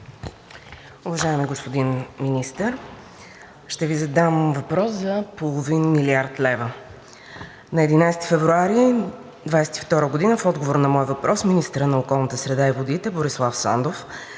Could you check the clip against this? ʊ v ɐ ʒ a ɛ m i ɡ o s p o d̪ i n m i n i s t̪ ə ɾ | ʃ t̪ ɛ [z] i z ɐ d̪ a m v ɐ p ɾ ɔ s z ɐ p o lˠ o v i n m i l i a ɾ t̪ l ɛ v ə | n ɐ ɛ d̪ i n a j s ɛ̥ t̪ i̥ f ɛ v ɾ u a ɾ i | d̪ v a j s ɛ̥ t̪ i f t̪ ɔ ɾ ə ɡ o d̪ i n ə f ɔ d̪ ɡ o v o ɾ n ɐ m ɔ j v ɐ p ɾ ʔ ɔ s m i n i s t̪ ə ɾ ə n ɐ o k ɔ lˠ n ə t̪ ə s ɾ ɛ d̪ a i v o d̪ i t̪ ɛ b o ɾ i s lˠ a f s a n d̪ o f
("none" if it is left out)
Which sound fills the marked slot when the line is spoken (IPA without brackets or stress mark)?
v